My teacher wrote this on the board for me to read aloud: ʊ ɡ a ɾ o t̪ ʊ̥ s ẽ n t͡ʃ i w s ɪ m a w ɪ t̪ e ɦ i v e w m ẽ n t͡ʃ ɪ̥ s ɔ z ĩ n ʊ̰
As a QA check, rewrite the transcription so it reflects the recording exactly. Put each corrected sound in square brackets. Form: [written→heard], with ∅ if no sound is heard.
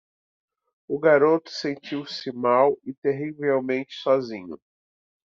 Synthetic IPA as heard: ʊ ɡ a ɾ o t̪ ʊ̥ s ẽ n t͡ʃ i w s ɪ m a w ɪ t̪ e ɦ i v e w m ẽ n t͡ʃ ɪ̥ s ɔ z ĩ [n→ɲ] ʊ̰